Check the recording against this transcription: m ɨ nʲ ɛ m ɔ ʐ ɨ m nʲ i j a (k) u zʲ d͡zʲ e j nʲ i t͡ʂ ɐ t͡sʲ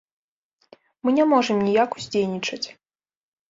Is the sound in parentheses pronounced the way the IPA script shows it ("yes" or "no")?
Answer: yes